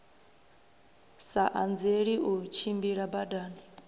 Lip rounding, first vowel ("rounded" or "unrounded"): unrounded